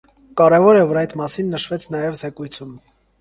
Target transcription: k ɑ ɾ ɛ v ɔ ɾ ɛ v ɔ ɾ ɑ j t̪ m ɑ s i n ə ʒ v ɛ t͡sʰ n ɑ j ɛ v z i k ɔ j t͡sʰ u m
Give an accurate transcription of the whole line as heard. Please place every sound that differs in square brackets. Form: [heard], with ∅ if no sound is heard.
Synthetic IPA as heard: k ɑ ɾ ɛ v ɔ ɾ ɛ v ɔ ɾ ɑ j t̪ m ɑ s i [nː] ə [ʃ] v ɛ t͡sʰ n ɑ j ɛ v z [ɛ] k [u] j t͡sʰ u m